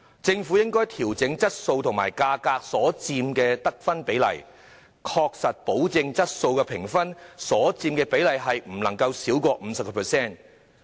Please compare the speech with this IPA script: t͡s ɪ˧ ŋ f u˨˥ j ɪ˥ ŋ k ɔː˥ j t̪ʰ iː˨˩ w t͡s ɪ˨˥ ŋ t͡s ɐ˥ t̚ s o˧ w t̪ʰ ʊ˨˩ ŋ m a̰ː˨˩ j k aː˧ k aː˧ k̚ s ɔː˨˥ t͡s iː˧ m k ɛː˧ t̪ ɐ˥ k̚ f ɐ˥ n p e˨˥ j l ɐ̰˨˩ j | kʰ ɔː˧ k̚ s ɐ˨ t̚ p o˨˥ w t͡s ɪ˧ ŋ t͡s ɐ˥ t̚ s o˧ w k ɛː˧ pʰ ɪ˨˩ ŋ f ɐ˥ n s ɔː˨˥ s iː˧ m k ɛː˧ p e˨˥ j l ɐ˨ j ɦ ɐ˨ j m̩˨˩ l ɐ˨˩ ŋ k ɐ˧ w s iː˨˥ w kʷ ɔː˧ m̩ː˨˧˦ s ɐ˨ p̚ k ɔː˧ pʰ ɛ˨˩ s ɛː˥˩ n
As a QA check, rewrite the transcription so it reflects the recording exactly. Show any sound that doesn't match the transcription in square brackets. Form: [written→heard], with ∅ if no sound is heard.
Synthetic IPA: t͡s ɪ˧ ŋ f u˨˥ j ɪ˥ ŋ k ɔː˥ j t̪ʰ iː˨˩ w t͡s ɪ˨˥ ŋ t͡s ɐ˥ t̚ s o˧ w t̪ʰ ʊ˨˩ ŋ m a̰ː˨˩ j k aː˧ k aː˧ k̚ s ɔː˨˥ t͡s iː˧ m k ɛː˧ t̪ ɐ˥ k̚ f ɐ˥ n p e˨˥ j l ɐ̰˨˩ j | kʰ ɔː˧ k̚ s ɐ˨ t̚ p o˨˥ w t͡s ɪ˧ ŋ t͡s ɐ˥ t̚ s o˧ w k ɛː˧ pʰ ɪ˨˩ ŋ f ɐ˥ n s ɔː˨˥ [s→t͡s] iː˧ m k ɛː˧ p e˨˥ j l ɐ˨ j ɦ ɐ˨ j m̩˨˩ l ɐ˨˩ ŋ k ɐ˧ w s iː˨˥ w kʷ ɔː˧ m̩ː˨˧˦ s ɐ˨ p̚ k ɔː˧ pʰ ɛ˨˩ s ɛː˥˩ n